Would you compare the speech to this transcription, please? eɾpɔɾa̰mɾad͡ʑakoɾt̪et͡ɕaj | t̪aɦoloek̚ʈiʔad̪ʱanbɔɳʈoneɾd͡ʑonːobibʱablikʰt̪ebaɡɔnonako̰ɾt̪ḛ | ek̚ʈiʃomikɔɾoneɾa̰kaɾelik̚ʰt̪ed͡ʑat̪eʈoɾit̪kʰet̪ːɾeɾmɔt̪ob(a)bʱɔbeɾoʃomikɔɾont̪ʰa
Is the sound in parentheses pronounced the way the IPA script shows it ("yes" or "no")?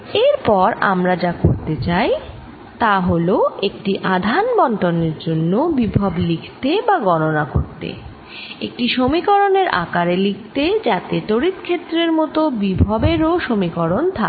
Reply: no